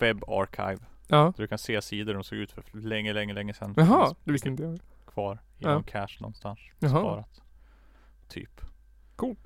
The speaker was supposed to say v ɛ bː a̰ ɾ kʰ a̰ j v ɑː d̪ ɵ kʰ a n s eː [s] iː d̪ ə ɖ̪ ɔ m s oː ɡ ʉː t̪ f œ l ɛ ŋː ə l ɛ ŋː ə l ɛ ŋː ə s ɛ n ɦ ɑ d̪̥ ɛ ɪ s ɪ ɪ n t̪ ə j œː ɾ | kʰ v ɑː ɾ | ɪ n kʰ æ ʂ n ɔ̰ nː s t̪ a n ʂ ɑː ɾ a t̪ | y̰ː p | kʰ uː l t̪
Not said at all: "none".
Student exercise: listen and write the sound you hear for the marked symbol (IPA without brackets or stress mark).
s